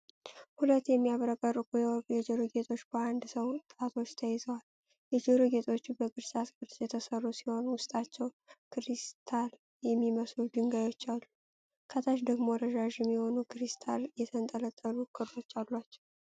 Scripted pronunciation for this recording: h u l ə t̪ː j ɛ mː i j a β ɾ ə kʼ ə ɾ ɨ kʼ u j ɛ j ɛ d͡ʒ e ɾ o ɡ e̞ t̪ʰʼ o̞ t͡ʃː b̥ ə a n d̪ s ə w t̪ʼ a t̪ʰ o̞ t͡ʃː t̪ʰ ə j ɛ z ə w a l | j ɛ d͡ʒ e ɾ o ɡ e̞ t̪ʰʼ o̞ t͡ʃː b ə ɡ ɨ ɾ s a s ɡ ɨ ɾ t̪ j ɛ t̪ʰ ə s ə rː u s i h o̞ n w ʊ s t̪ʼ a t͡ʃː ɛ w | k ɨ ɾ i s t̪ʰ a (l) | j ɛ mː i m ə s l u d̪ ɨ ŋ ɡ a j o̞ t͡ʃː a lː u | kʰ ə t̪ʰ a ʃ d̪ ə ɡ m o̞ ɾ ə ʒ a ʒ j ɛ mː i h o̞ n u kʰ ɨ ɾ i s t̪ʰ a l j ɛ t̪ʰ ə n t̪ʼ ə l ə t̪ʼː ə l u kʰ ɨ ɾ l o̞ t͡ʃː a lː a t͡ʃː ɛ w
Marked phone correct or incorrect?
correct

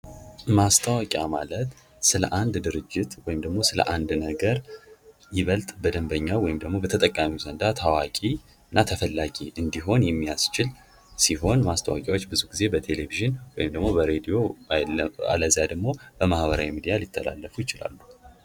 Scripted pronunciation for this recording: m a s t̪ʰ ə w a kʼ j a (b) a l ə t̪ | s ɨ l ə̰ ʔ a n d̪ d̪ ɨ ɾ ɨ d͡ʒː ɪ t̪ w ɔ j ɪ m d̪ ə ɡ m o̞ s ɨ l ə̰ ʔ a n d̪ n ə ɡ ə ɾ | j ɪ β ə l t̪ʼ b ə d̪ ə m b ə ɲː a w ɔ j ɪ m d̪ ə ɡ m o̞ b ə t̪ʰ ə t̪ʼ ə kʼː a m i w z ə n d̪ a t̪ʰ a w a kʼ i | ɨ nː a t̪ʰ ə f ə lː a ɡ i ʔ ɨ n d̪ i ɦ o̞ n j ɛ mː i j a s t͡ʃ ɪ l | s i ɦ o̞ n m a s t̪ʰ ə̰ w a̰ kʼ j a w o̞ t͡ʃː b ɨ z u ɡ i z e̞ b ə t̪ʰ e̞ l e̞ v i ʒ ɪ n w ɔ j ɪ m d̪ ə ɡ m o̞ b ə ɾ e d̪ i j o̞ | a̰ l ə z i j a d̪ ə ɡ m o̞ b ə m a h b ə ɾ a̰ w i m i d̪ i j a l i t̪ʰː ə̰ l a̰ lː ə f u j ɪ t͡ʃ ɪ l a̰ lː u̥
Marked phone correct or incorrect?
incorrect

